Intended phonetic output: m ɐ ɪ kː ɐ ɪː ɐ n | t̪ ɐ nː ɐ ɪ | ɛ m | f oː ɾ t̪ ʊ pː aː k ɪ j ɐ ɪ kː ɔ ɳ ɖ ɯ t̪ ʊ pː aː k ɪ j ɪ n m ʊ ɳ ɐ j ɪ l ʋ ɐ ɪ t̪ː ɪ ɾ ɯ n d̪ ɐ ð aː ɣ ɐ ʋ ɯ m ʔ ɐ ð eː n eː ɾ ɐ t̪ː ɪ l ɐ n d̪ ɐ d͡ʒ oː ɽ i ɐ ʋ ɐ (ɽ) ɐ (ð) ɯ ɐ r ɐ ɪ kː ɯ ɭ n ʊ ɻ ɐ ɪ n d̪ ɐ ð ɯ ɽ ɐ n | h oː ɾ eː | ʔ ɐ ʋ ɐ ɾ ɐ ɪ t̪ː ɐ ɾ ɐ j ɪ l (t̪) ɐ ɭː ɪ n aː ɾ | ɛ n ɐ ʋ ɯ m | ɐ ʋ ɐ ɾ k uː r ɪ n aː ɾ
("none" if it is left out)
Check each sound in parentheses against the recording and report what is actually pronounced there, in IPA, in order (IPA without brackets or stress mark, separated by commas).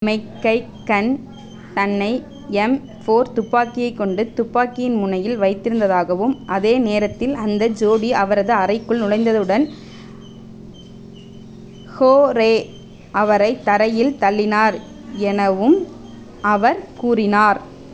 ɾ, ð, t̪